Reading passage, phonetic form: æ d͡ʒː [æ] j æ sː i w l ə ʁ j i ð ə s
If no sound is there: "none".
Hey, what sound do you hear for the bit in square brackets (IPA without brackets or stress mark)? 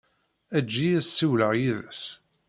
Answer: i